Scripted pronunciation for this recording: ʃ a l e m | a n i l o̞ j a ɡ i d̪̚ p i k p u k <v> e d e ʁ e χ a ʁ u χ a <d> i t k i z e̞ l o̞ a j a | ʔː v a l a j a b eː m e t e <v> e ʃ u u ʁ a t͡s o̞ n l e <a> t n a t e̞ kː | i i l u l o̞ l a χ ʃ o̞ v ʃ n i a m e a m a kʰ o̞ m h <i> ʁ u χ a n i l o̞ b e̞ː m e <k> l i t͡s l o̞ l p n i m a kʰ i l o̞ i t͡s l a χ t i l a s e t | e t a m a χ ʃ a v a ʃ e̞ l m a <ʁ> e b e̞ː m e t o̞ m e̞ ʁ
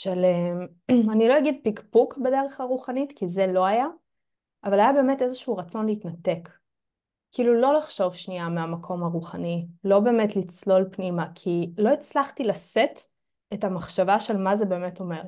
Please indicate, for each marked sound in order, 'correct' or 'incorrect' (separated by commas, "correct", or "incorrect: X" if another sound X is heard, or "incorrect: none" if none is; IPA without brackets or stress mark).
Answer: incorrect: b, incorrect: n, incorrect: z, incorrect: i, incorrect: a, incorrect: t, incorrect: z